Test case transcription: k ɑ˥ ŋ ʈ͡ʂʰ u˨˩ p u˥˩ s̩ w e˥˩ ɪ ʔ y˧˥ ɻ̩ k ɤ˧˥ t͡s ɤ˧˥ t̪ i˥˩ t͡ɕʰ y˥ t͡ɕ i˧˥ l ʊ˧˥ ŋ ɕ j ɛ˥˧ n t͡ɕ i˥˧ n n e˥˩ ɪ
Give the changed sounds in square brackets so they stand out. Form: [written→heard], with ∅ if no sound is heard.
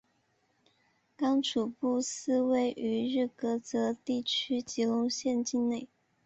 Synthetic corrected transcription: k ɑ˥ ŋ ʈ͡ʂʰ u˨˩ p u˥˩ s̩ w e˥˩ ɪ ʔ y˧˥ ɻ̩ k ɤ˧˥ t͡s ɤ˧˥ t̪ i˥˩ t͡ɕʰ y˥ t͡ɕ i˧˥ l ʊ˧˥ ŋ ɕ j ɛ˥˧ n t͡ɕ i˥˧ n n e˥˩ ɪ